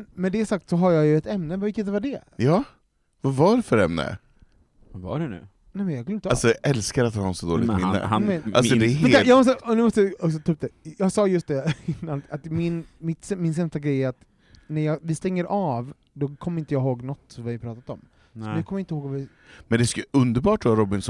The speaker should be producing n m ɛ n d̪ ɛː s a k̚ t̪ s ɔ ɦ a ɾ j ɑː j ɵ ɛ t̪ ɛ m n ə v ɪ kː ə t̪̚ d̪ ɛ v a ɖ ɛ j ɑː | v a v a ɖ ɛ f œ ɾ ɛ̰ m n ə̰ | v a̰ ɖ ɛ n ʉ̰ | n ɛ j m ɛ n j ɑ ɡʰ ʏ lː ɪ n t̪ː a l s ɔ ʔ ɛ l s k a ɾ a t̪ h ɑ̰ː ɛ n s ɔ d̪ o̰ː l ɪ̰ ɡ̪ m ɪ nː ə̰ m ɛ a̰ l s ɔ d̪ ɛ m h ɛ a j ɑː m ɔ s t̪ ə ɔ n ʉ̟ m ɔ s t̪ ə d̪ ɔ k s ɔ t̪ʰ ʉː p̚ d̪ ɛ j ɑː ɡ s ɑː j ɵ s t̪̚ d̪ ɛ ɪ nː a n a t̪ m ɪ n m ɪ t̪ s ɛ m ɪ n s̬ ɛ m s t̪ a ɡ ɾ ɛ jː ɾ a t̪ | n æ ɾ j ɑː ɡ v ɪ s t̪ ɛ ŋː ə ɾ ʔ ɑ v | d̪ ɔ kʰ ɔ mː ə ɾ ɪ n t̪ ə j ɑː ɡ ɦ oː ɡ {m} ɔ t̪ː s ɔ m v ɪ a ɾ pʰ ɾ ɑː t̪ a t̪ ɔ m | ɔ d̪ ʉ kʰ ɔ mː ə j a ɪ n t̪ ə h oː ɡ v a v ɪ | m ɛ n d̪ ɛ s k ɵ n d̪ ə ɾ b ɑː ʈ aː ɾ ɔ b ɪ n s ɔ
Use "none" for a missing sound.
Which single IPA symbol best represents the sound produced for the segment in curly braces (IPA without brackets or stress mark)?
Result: n